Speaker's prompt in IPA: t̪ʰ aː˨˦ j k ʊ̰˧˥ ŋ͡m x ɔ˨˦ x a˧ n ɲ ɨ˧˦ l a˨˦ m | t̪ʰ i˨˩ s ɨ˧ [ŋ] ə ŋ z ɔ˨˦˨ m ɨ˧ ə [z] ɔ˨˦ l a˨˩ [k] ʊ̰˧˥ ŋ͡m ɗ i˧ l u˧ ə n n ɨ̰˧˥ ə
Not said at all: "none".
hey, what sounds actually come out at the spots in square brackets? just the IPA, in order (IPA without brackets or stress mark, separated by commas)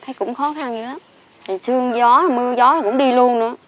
none, z, k